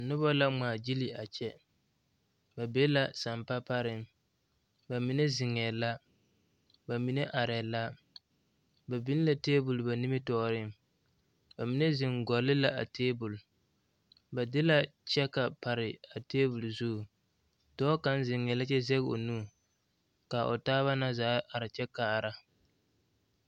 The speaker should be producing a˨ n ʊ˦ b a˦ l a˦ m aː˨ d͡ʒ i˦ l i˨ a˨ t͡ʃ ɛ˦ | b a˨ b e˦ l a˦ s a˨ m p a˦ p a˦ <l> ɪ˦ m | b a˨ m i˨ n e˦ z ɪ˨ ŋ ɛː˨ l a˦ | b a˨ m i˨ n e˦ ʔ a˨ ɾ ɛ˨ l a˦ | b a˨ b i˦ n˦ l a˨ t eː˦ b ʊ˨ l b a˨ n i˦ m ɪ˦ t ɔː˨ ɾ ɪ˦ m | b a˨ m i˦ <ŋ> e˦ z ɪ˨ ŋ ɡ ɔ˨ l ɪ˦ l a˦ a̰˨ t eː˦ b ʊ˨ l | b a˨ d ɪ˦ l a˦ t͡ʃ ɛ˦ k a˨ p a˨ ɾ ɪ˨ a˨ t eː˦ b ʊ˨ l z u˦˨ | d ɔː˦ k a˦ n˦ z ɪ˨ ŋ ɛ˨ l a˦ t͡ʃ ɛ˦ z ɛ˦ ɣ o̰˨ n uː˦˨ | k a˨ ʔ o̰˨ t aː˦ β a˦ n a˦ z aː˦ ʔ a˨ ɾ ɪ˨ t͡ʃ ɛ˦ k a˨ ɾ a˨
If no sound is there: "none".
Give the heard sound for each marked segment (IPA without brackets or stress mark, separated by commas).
ɾ, n